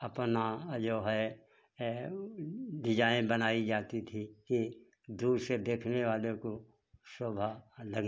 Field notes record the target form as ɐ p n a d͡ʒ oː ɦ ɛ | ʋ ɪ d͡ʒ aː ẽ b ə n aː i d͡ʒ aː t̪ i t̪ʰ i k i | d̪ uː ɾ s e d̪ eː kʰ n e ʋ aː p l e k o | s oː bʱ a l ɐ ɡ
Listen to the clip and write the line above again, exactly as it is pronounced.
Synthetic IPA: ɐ p n a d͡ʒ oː ɦ ɛ | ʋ ɪ d͡ʒ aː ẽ b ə n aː i d͡ʒ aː t̪ i t̪ʰ i k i | d̪ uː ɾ s e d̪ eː kʰ n e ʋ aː l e k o | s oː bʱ a l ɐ ɡ